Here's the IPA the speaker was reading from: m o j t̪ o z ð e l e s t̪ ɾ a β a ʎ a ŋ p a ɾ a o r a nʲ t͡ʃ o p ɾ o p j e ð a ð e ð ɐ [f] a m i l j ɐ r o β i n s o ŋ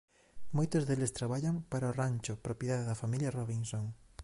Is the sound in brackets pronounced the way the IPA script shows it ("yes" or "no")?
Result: yes